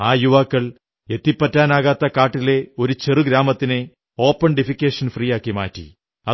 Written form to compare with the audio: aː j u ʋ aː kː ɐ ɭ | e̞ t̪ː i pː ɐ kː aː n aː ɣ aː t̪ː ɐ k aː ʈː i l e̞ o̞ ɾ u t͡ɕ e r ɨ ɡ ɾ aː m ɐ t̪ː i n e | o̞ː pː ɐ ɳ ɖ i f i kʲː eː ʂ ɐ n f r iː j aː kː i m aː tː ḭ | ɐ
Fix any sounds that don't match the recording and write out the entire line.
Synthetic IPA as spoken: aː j u ʋ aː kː ɐ ɭ | e̞ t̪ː i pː ɐ tː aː n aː ɣ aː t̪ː ɐ k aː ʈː i l e̞ o̞ ɾ u t͡ɕ e r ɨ ɡ ɾ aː m ɐ t̪ː i n e | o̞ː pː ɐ ɳ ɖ i f i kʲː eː ʂ ɐ n f r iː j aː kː i m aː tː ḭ | ɐ